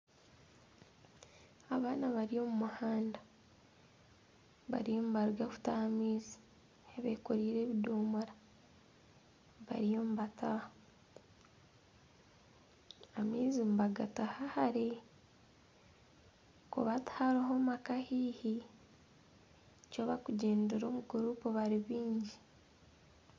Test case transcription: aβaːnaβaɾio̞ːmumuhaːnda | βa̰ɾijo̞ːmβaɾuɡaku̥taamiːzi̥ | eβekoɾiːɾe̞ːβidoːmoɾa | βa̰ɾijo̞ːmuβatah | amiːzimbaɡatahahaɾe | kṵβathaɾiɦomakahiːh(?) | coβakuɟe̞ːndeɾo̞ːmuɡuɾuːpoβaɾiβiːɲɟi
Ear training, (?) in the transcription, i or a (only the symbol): i